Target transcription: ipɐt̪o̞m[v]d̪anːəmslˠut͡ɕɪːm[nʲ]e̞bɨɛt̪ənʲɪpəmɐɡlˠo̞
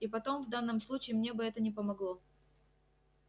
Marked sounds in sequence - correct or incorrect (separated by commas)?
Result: correct, correct